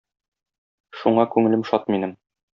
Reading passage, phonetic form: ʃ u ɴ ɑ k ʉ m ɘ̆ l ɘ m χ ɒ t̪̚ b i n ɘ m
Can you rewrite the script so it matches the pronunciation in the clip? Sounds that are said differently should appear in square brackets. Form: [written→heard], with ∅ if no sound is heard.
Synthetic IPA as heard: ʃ u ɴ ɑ k ʉ [m→ŋ] ɘ̆ l ɘ m [χ→ʃ] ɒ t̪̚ [b→m] i n ɘ m